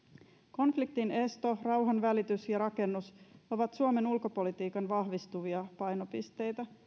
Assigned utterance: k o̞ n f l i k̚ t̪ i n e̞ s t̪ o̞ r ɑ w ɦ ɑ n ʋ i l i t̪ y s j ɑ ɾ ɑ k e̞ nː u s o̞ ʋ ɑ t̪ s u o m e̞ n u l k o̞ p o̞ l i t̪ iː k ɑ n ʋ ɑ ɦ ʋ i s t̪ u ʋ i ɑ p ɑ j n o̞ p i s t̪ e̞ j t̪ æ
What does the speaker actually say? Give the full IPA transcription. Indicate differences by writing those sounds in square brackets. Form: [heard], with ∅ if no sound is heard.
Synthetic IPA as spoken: k o̞ n f l i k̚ t̪ i n e̞ s t̪ o̞ r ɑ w ɦ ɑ n ʋ [æ] l i t̪ y s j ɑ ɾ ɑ k e̞ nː u s o̞ ʋ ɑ t̪ s u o m e̞ n u l k o̞ p o̞ l i t̪ iː k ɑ n ʋ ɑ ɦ ʋ i s t̪ u ʋ i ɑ p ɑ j n o̞ p i s t̪ e̞ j t̪ æ